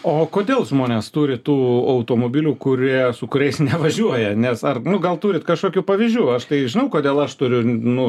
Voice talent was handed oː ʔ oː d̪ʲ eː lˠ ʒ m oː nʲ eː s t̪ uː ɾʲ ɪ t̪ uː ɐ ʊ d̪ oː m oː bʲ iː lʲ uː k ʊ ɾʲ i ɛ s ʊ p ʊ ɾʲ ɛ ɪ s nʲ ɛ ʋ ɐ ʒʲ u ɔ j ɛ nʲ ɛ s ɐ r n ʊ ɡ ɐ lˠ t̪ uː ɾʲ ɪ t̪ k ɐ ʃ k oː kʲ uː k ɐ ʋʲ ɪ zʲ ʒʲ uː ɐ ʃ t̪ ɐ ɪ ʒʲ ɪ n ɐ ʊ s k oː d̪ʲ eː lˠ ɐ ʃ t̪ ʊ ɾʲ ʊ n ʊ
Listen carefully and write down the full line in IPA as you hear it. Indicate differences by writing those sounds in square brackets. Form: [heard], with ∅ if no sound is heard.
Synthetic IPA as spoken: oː [k] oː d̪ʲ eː lˠ ʒ m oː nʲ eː s t̪ uː ɾʲ ɪ t̪ uː ɐ ʊ [t̪] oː m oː bʲ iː lʲ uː k ʊ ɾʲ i ɛ s ʊ [k] ʊ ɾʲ ɛ ɪ s nʲ ɛ ʋ ɐ ʒʲ u ɔ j ɛ nʲ ɛ s ɐ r n ʊ ɡ ɐ lˠ t̪ uː ɾʲ ɪ t̪ k ɐ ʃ k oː kʲ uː [p] ɐ ʋʲ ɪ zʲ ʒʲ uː ɐ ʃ t̪ ɐ ɪ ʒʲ ɪ n ɐ ʊ [∅] k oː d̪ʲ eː lˠ ɐ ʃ t̪ ʊ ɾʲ ʊ n ʊ

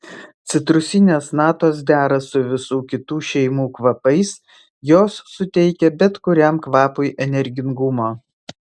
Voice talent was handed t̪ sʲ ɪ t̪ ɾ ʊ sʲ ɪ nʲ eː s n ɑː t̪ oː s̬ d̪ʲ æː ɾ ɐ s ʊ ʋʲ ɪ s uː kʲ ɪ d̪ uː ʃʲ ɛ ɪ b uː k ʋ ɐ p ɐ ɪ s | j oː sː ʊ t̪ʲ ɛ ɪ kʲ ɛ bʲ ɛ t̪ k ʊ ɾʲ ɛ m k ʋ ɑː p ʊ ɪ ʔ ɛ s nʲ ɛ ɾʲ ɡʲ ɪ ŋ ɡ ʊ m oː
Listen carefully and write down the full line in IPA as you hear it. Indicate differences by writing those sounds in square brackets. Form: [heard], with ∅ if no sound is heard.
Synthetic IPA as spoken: t̪ sʲ ɪ t̪ ɾ ʊ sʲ ɪ nʲ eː s n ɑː t̪ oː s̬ d̪ʲ æː ɾ ɐ s ʊ ʋʲ ɪ s uː kʲ ɪ [t̪] uː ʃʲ ɛ ɪ [m] uː k ʋ ɐ p ɐ ɪ s | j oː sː ʊ t̪ʲ ɛ ɪ kʲ ɛ bʲ ɛ t̪ k ʊ ɾʲ ɛ m k ʋ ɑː p ʊ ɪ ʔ ɛ [∅] nʲ ɛ ɾʲ ɡʲ ɪ ŋ ɡ ʊ m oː

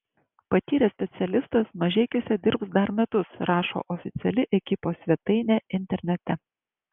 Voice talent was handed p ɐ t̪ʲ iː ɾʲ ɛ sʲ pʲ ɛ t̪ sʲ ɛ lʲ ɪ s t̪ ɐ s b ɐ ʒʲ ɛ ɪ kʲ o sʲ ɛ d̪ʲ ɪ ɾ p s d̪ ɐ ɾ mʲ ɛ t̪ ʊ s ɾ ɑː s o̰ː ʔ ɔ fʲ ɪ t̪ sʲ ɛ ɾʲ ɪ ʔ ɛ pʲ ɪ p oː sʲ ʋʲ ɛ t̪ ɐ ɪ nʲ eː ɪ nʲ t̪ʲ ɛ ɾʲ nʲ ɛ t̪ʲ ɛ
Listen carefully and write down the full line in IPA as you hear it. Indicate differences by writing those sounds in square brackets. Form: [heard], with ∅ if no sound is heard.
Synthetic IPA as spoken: p ɐ t̪ʲ iː ɾʲ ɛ sʲ pʲ ɛ t̪ sʲ ɛ lʲ ɪ s t̪ ɐ s [m] ɐ ʒʲ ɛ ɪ kʲ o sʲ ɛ d̪ʲ ɪ ɾ p s d̪ ɐ ɾ mʲ ɛ t̪ ʊ s ɾ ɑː [ʃ] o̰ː ʔ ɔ fʲ ɪ t̪ sʲ ɛ [lʲ] ɪ ʔ ɛ [kʲ] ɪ p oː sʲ ʋʲ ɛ t̪ ɐ ɪ nʲ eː ɪ nʲ t̪ʲ ɛ ɾʲ nʲ ɛ t̪ʲ ɛ

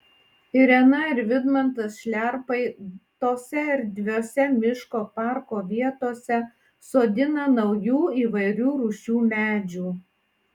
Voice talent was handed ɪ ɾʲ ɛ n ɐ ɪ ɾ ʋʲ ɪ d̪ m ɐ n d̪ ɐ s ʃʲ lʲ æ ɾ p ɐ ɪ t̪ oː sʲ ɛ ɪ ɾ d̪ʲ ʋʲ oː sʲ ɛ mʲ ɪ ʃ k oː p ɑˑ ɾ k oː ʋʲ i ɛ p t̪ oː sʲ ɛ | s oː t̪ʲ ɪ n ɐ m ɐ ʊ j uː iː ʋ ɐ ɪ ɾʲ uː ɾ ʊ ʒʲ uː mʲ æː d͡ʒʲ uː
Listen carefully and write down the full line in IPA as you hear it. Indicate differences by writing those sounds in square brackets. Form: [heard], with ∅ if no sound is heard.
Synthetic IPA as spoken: ɪ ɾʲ ɛ n ɐ ɪ ɾ ʋʲ ɪ d̪ m ɐ n [t̪] ɐ s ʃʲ lʲ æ ɾ p ɐ ɪ t̪ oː sʲ ɛ ɪ ɾ d̪ʲ ʋʲ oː sʲ ɛ mʲ ɪ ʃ k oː p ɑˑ ɾ k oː ʋʲ i ɛ [∅] t̪ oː sʲ ɛ | s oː [d̪ʲ] ɪ n ɐ [n] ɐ ʊ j uː iː ʋ ɐ ɪ ɾʲ uː ɾ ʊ [ʃʲ] uː mʲ æː d͡ʒʲ uː

